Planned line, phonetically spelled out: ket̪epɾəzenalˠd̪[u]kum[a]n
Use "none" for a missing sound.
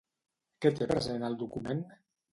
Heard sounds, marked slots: u, e

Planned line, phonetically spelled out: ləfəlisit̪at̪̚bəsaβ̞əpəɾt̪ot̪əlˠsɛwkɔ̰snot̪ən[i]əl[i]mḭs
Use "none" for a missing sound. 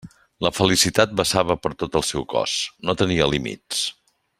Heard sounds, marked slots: i, i

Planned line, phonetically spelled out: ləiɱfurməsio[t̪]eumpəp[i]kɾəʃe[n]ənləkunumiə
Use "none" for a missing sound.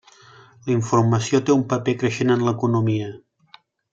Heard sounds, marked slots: t̪, e, n

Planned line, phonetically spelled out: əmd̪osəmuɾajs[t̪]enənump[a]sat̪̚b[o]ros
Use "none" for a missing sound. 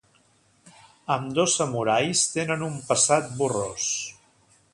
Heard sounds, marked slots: t̪, ə, u

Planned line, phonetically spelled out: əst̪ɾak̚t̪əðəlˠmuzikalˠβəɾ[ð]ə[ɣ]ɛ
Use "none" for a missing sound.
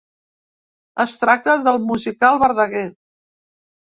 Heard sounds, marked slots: ð, ɣ

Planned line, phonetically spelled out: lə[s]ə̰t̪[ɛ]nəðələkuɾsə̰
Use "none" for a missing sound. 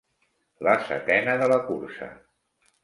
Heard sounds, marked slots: s, ɛ

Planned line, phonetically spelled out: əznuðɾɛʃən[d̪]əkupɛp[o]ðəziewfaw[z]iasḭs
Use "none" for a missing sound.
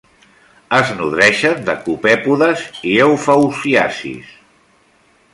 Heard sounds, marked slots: d̪, u, s

